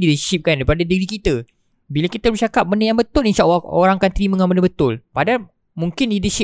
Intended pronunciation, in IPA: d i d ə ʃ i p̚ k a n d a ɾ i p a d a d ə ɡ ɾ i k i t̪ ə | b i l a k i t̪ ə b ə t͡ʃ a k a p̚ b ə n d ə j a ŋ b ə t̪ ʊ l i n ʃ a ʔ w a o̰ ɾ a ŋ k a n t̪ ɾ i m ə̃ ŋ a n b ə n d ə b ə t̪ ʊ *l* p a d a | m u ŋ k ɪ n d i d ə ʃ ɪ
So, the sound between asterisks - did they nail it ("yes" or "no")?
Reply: yes